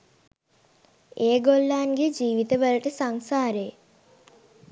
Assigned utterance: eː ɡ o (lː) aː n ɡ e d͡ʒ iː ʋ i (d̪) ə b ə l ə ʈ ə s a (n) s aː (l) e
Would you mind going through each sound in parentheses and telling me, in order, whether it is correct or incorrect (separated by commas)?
correct, incorrect, incorrect, incorrect